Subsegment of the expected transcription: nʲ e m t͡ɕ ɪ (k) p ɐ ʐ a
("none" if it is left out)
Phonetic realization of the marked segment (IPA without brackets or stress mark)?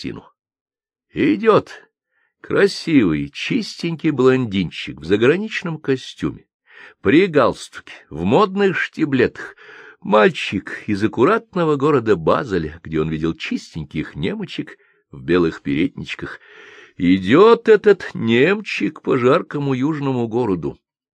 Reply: k